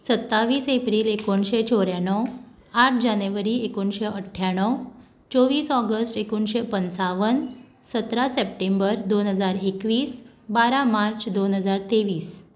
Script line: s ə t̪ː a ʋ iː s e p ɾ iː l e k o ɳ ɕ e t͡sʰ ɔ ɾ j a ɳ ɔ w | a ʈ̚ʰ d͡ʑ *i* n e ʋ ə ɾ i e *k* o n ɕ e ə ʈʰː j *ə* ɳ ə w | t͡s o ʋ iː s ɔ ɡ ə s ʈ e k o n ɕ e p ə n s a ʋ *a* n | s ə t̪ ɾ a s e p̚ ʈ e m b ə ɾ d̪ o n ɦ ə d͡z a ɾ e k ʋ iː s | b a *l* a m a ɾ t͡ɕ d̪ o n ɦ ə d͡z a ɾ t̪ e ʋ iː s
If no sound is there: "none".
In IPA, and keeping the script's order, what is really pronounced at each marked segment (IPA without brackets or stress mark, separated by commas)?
a, k, a, ə, ɾ